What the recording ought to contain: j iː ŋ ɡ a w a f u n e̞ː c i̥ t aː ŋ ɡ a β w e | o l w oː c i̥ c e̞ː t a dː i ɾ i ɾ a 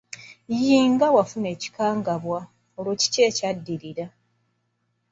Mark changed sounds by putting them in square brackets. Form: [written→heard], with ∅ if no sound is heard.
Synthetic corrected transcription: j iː ŋ ɡ a w a f u n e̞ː c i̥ [t→k] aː ŋ ɡ a β w [e→a] | o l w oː c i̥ c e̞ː [t→c] a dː i ɾ i ɾ a